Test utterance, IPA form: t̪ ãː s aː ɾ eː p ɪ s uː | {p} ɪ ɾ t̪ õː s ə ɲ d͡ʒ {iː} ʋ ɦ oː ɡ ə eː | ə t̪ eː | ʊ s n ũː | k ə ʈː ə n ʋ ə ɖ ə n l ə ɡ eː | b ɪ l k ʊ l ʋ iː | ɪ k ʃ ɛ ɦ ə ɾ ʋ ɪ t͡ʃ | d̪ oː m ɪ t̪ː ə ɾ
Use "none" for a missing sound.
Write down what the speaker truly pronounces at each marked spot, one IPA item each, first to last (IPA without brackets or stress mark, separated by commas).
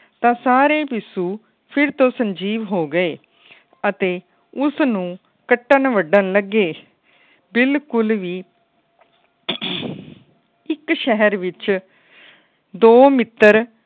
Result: pʰ, iː